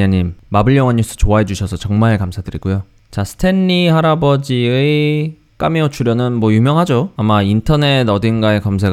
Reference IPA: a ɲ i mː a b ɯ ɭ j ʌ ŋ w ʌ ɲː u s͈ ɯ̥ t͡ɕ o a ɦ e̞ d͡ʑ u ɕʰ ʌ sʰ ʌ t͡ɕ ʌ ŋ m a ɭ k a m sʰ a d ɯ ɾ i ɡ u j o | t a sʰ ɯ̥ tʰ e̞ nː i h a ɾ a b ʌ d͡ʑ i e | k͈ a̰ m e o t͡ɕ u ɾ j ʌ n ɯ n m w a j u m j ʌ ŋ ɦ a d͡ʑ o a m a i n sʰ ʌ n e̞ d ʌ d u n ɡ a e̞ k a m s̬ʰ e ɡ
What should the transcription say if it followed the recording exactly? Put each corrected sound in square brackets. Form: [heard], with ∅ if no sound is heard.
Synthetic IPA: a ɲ i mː a b ɯ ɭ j ʌ ŋ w ʌ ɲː u s͈ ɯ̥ t͡ɕ o a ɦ e̞ d͡ʑ u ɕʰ ʌ sʰ ʌ t͡ɕ ʌ ŋ m a ɭ k a m sʰ a d ɯ ɾ i ɡ u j o | [t͡ɕ] a sʰ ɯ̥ tʰ e̞ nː i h a ɾ a b ʌ d͡ʑ i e | k͈ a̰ m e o [t͡ɕʰ] u ɾ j ʌ n ɯ n m w [ʌ] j u m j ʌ ŋ ɦ a d͡ʑ o a m a i n [tʰ] ʌ n e̞ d ʌ d [ɯ] n ɡ a e̞ k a m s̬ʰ e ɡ